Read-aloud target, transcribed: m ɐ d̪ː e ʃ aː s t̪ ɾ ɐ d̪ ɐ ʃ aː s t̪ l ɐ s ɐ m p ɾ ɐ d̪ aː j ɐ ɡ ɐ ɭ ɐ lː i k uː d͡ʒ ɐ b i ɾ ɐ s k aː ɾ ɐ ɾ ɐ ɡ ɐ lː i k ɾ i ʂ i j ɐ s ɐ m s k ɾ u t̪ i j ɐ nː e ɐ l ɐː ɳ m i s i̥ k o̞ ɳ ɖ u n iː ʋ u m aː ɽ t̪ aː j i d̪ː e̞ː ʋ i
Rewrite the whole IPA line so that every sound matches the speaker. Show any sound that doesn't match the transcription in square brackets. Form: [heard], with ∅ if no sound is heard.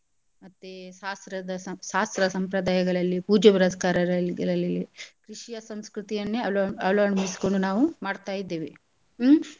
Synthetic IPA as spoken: m ɐ [t̪ː] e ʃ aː s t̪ ɾ ɐ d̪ ɐ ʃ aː s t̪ [ɾ] ɐ s ɐ m p ɾ ɐ d̪ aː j ɐ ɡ ɐ ɭ ɐ lː i [p] uː d͡ʒ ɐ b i ɾ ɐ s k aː ɾ ɐ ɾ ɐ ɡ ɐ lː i k ɾ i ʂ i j ɐ s ɐ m s k ɾ u t̪ i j ɐ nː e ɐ l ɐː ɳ m i s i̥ k o̞ ɳ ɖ u n [aː] ʋ u m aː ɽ t̪ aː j i d̪ː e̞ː ʋ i